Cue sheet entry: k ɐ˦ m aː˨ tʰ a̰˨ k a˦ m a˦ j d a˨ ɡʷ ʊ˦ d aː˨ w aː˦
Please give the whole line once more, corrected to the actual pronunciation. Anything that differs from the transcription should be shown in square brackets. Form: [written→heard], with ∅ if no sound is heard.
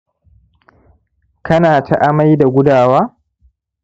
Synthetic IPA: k ɐ˦ [m→n] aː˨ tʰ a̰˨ [k→ʔ] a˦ m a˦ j d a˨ ɡʷ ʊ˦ d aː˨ w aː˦